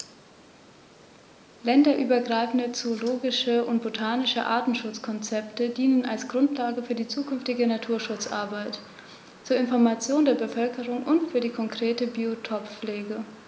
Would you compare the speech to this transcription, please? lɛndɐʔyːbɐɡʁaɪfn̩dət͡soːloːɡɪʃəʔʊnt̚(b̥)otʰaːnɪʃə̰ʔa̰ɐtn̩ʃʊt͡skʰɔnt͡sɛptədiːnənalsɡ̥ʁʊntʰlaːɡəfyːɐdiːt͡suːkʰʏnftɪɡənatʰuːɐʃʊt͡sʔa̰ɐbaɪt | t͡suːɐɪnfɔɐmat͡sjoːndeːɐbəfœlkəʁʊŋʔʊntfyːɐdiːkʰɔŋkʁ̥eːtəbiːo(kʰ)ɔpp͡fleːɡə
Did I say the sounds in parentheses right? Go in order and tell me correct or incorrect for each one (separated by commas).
correct, incorrect